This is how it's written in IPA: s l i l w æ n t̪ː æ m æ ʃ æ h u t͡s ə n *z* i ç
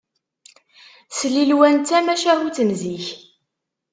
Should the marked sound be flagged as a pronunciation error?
no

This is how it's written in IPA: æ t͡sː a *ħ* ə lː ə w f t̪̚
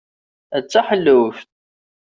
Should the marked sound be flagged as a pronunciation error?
no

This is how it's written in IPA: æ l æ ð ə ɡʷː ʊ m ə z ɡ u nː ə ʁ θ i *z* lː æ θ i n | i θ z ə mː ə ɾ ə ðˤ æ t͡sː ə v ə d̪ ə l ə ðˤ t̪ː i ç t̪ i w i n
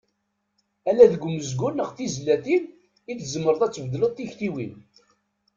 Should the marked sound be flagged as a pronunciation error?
no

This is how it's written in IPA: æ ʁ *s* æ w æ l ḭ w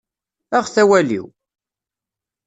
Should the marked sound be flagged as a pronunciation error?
yes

